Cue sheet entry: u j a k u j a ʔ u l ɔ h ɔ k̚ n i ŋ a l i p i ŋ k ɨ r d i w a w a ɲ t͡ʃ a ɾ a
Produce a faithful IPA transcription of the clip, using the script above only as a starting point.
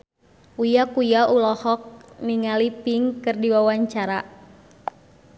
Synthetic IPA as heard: u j a k u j a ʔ u l ɔ h ɔ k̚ n i ŋ a l i p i ŋ k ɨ r d i w a w a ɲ t͡ʃ a ɾ a